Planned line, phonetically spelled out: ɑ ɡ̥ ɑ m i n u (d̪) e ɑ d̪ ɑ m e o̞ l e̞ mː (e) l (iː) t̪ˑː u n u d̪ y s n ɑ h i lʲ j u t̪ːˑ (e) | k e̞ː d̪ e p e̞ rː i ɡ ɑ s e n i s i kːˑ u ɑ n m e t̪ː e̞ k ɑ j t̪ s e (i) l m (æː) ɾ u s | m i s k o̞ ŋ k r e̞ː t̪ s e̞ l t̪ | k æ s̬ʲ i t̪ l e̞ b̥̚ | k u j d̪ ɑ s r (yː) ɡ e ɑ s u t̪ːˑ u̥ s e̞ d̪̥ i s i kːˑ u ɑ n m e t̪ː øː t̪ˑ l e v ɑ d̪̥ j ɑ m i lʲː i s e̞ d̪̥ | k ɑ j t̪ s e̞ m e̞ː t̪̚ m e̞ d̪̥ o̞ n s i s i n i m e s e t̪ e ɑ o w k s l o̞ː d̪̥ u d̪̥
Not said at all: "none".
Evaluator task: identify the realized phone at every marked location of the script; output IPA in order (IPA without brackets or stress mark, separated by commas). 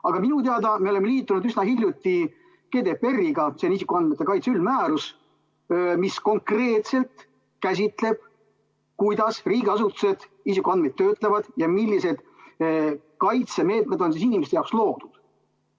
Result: t̪, e, iː, i, y, æː, iː